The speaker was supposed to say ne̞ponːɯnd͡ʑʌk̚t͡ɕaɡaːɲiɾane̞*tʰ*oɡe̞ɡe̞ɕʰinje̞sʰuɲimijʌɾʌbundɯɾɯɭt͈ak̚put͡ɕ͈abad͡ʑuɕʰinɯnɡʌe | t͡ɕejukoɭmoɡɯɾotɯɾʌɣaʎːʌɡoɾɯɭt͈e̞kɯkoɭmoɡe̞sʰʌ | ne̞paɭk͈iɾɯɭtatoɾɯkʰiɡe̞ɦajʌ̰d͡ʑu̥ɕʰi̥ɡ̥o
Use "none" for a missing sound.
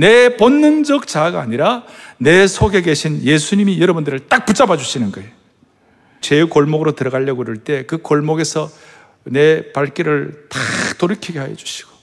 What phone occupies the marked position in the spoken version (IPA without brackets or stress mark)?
sʰ